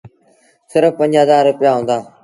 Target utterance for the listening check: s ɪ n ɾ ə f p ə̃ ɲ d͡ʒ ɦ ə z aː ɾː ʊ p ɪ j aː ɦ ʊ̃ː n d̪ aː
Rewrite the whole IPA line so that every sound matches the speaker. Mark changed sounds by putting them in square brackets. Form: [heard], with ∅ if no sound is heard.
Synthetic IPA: s ɪ [∅] ɾ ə f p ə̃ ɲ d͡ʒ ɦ ə z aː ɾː ʊ p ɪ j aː ɦ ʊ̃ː n d̪ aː